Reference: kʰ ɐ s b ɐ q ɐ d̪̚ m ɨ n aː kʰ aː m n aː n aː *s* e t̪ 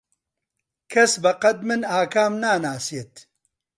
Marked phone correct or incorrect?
correct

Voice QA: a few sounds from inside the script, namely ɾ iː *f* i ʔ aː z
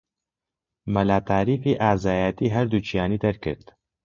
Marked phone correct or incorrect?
correct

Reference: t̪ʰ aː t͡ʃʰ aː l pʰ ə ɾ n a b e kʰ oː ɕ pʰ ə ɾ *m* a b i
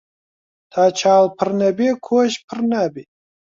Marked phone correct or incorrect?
incorrect: n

